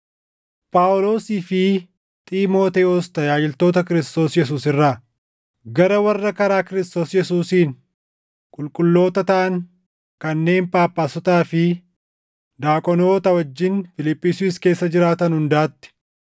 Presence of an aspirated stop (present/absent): absent